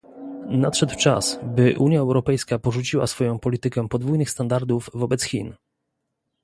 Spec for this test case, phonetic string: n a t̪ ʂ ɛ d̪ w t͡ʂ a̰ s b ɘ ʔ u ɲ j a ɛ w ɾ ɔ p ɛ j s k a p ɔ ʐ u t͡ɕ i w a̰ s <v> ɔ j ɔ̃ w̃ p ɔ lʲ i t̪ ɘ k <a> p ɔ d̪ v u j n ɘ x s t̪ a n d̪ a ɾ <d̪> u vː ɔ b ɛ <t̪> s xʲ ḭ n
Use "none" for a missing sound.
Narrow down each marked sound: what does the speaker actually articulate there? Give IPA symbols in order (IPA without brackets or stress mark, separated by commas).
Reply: f, ɛ, d̪, t̪